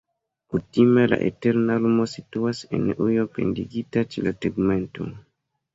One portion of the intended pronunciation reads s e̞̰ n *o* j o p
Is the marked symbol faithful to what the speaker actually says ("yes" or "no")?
no